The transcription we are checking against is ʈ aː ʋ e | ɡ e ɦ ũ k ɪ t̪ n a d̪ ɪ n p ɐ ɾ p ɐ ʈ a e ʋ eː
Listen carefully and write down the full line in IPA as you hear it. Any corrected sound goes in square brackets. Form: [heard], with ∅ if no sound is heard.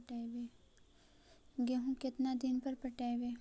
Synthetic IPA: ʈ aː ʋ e | ɡ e ɦ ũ k ɪ t̪ n a d̪ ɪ n p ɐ ɾ p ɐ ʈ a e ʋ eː